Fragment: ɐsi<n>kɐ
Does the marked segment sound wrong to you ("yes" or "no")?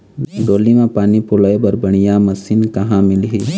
no